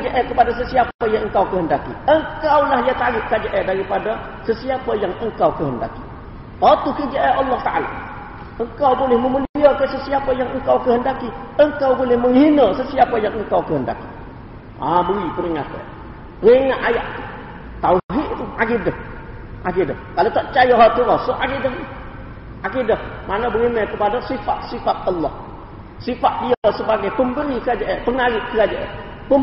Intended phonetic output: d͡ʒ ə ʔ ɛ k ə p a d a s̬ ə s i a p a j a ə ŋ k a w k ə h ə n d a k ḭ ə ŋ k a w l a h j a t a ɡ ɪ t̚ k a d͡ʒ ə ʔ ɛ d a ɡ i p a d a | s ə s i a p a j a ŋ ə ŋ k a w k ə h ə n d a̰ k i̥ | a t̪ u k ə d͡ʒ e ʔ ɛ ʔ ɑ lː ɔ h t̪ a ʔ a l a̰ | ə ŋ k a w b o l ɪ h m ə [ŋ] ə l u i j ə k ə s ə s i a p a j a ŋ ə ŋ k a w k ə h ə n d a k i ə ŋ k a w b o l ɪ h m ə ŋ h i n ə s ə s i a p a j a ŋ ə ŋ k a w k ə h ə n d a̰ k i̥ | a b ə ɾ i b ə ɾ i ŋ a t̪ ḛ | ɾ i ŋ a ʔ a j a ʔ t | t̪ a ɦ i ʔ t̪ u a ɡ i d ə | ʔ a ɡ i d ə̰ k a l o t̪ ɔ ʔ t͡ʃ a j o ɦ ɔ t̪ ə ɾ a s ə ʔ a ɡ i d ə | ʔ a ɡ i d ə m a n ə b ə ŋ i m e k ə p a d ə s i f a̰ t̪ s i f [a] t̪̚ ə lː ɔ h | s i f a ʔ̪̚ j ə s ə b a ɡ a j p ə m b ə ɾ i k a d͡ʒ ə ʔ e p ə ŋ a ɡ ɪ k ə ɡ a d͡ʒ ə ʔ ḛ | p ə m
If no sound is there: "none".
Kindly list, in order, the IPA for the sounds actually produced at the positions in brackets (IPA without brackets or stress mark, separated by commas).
m, a